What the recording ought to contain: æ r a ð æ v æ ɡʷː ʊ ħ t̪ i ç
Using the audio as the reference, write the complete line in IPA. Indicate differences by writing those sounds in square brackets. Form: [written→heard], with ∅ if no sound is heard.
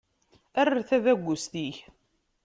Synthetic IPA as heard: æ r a [ð→θ] æ [v→ð] æ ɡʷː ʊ [ħ→s] t̪ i ç